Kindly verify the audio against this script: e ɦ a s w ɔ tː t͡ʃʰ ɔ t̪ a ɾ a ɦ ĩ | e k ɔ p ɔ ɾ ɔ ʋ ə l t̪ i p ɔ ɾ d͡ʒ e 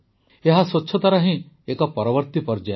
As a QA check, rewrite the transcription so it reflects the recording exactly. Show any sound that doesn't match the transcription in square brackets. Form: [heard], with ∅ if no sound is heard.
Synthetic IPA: e ɦ a s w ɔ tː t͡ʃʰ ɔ t̪ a ɾ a ɦ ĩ | e k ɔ p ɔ ɾ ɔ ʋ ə [ɾ] t̪ i p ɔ ɾ d͡ʒ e